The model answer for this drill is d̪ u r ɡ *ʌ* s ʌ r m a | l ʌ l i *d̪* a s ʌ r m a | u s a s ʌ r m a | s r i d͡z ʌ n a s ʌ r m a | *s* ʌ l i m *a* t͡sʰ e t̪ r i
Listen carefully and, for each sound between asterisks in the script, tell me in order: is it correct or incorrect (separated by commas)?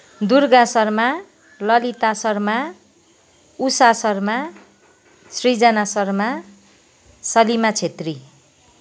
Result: incorrect, incorrect, correct, correct